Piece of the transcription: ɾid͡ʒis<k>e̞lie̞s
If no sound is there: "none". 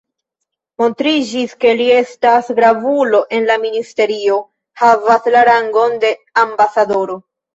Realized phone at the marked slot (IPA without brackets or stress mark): k